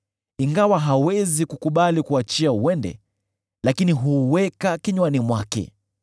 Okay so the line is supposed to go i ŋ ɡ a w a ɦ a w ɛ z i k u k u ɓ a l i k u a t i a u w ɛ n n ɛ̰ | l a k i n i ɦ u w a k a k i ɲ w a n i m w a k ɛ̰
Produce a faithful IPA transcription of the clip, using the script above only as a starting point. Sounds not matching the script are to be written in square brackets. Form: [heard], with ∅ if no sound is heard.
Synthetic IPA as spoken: i ŋ ɡ a w a ɦ a w ɛ z i k u k u ɓ a l i k u a [t͡ʃ] i a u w ɛ n [d] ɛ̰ | l a k i n i ɦ u w [ɛ] k a k i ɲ w a n i m w a k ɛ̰